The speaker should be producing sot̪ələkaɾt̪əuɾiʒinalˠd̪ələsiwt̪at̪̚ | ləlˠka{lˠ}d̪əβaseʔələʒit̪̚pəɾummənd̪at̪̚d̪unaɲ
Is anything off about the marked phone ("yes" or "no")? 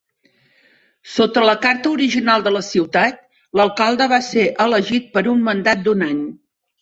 no